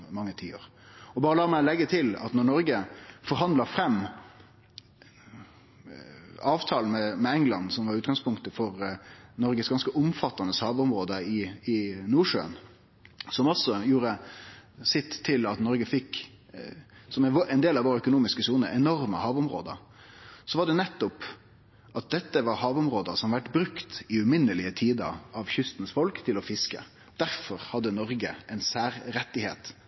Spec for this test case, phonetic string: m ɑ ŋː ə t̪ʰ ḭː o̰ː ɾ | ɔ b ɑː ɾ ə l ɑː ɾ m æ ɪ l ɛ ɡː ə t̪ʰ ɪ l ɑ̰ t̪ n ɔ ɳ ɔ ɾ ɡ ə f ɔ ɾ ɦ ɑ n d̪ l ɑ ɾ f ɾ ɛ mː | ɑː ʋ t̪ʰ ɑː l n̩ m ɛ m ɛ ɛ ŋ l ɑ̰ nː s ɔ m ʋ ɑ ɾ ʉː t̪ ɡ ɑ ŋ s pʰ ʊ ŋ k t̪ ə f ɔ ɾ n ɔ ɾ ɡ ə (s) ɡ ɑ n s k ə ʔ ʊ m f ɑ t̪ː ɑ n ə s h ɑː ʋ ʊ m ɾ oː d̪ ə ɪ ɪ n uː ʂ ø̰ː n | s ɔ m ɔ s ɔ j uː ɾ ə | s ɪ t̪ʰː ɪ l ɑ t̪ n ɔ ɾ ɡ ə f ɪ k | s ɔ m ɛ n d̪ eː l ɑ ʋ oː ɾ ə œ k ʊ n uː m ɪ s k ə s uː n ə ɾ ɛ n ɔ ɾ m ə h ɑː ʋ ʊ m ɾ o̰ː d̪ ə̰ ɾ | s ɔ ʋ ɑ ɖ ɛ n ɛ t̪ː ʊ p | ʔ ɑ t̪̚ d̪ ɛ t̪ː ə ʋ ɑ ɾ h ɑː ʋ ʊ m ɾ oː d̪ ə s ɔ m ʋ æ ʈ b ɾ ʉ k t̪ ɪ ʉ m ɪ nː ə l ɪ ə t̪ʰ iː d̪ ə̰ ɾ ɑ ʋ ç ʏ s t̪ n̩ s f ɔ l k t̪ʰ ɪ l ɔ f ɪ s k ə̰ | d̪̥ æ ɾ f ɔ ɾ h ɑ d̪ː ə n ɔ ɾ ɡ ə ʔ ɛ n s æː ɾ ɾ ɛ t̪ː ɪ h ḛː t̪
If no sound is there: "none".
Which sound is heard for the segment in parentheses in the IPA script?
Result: s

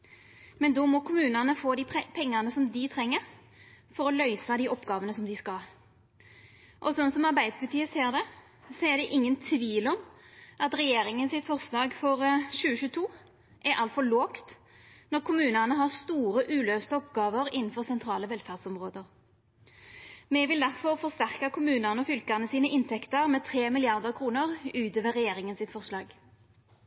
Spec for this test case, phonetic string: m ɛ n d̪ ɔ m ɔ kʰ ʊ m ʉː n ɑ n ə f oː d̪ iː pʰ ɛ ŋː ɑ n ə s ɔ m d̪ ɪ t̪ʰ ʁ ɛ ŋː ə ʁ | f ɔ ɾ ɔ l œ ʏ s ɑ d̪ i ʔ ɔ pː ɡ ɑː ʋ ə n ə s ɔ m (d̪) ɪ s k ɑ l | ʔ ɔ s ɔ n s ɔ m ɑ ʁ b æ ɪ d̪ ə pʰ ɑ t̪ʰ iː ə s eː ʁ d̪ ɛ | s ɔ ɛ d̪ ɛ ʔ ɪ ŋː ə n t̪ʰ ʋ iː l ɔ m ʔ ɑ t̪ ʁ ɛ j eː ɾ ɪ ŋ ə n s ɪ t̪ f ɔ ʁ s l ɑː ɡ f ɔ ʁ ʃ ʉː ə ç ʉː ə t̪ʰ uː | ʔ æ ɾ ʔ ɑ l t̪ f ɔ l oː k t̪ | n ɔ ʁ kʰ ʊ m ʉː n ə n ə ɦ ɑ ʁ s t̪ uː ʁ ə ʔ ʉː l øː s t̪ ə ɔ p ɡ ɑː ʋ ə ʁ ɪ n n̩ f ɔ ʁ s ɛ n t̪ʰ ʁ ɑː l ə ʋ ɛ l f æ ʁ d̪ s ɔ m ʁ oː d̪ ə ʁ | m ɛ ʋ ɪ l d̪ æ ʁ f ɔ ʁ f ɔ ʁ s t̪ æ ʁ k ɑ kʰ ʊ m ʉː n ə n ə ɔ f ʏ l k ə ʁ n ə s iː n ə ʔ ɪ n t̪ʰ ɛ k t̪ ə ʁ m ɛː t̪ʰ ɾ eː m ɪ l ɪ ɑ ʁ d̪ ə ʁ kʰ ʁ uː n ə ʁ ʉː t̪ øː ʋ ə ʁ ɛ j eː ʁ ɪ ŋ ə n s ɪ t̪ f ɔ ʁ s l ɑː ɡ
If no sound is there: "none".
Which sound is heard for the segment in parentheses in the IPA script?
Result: d̪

